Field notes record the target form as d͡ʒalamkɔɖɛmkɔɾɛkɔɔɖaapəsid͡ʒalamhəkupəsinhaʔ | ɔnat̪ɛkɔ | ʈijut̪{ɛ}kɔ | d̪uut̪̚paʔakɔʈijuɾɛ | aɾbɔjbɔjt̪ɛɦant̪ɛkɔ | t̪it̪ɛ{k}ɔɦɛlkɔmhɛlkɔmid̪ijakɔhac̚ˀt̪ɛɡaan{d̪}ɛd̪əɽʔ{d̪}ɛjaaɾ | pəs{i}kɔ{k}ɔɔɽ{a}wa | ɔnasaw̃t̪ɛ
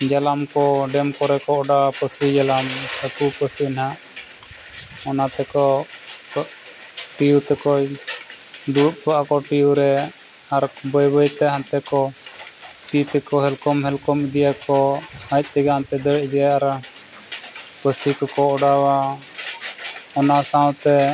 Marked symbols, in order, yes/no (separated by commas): yes, yes, no, yes, yes, yes, yes